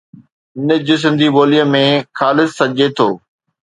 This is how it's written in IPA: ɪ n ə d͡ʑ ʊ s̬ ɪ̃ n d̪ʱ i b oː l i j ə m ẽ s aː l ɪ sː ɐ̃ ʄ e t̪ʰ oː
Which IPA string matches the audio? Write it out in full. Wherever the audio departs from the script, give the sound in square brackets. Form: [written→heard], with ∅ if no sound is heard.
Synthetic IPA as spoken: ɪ n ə d͡ʑ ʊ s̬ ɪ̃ n d̪ʱ i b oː l i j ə m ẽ [s→x] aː l ɪ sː [ɐ̃→ɐ] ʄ e t̪ʰ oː